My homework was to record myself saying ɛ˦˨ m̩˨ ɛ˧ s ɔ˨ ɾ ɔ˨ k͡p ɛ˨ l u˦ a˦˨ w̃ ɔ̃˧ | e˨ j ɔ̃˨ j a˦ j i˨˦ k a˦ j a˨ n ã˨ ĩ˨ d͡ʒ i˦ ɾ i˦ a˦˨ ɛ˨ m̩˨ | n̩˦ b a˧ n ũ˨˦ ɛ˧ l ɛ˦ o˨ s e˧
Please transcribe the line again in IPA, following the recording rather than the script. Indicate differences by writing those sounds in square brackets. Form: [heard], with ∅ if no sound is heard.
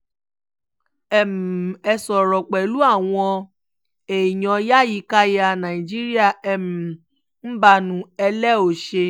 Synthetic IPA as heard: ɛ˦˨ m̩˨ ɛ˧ s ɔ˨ ɾ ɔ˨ k͡p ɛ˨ l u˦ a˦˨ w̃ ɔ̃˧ | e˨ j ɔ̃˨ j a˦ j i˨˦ k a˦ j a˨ n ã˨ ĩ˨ d͡ʒ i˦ ɾ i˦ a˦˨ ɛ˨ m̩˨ | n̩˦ b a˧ n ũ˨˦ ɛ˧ l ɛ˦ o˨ [ʃ] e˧